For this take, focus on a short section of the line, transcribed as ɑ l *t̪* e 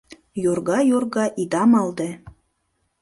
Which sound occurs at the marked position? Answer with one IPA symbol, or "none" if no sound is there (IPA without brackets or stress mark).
d̪